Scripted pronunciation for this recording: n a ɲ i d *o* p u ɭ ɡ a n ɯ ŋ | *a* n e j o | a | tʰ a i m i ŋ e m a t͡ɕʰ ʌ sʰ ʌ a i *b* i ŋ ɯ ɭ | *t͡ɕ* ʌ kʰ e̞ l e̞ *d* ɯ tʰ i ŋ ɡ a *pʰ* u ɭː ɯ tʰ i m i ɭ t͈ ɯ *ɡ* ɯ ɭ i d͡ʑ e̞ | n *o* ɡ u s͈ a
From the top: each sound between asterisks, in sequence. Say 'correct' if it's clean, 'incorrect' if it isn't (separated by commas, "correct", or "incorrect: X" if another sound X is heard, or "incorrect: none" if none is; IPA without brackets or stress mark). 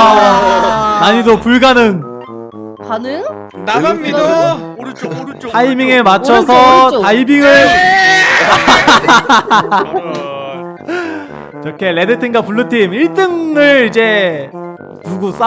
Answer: correct, correct, correct, correct, correct, incorrect: p, incorrect: ŋ, incorrect: u